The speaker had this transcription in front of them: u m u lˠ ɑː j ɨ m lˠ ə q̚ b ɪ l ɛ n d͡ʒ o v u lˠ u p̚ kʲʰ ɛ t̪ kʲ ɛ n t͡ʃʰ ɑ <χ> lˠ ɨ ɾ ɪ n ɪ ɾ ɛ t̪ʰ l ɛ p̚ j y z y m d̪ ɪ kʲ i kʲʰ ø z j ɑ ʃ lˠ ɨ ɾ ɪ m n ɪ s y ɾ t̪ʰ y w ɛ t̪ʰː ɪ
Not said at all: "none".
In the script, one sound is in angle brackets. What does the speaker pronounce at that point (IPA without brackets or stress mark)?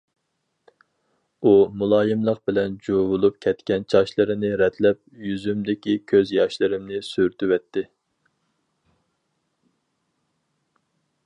ʃ